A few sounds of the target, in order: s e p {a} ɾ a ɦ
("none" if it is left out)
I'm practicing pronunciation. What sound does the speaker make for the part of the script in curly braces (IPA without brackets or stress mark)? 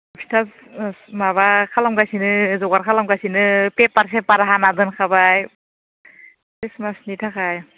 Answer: a